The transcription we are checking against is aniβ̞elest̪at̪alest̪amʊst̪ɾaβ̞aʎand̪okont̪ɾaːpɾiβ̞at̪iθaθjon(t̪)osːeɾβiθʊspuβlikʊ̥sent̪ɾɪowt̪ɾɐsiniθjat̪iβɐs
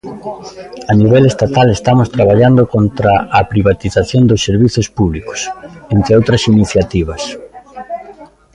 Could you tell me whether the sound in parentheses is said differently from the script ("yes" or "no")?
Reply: yes